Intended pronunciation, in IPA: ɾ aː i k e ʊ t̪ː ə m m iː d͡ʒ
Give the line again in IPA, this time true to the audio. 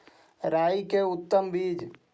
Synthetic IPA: ɾ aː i k e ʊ t̪ː ə m b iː d͡ʒ